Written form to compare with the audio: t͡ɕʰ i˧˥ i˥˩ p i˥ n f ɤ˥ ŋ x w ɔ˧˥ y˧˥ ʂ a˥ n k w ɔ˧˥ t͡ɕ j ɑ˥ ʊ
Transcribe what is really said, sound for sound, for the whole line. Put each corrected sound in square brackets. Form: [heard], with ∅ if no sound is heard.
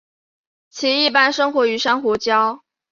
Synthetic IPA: t͡ɕʰ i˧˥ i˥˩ p [a˥] n [ʂ] ɤ˥ ŋ x w ɔ˧˥ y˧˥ ʂ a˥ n [x] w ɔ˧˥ t͡ɕ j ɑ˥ ʊ

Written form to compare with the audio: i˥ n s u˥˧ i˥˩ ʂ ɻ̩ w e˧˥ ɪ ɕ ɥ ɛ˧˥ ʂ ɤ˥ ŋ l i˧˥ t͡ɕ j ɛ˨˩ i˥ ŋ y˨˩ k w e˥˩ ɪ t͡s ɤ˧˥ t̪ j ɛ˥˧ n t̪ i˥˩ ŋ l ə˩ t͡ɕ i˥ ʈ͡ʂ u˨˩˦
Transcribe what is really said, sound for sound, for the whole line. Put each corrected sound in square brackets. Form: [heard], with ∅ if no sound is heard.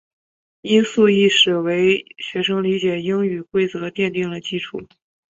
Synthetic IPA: i˥ n s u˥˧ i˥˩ ʂ ɻ̩ w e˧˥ ɪ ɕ ɥ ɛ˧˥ ʂ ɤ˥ ŋ l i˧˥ t͡ɕ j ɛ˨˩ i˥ ŋ y˨˩ k w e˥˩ ɪ t͡s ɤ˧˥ t̪ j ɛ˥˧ n t̪ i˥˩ ŋ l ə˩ t͡ɕ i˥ [ʈ͡ʂʰ] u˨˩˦

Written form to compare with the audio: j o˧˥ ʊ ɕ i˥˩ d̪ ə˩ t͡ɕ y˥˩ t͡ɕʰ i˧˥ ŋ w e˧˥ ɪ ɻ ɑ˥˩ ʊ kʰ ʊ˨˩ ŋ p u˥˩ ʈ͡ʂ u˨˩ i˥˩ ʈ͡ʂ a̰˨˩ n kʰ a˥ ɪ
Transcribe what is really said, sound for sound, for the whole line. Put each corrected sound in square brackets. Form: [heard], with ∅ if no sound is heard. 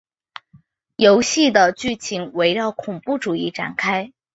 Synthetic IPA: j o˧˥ ʊ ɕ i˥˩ d̪ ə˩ t͡ɕ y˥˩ t͡ɕʰ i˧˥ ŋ w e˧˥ ɪ ɻ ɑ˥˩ ʊ kʰ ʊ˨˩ ŋ p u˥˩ ʈ͡ʂ u˨˩ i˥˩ ʈ͡ʂ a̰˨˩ n kʰ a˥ ɪ

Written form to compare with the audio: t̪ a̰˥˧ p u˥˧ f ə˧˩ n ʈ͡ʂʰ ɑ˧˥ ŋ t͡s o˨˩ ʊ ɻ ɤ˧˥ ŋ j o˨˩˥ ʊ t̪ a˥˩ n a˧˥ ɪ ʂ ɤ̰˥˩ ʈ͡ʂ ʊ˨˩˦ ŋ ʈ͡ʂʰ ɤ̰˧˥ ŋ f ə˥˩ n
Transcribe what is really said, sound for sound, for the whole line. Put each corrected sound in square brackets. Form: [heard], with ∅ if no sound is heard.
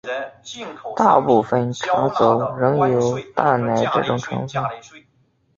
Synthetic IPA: t̪ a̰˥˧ p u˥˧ f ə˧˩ n ʈ͡ʂʰ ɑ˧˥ ŋ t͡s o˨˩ ʊ ɻ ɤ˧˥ ŋ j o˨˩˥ ʊ t̪ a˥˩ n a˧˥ ɪ [ʈ͡ʂ] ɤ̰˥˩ ʈ͡ʂ [ʊ˨˩] ŋ ʈ͡ʂʰ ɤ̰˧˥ ŋ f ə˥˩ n

